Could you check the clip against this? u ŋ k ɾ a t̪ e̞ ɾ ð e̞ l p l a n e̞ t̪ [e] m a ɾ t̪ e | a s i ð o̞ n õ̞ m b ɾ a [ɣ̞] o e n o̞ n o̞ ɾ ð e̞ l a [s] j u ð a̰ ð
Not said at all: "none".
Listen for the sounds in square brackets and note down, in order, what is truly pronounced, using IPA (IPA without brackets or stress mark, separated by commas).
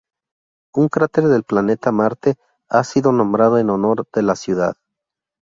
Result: a, ð̞, s